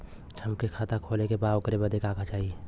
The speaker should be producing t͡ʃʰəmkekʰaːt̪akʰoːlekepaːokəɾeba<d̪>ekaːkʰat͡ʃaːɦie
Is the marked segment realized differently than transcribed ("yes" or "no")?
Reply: no